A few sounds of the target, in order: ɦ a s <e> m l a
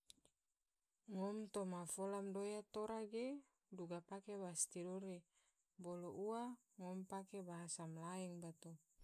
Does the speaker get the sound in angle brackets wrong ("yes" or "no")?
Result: yes